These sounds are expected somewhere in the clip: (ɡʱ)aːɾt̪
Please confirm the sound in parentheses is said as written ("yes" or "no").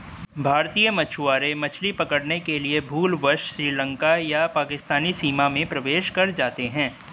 no